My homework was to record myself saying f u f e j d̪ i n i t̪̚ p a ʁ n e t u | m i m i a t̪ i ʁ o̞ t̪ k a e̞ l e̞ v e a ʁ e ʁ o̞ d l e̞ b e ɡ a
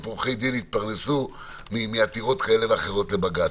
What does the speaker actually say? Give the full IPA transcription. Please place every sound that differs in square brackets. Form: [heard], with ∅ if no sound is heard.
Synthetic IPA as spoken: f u [χ] e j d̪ i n i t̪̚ p a ʁ n e [s] u | m i m i a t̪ i ʁ o̞ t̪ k a e̞ l e̞ v e a [χ] e ʁ o̞ [t] l e̞ b [a] ɡ a